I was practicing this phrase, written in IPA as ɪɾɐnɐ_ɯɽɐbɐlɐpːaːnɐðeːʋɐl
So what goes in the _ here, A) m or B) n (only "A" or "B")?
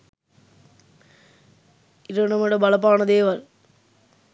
A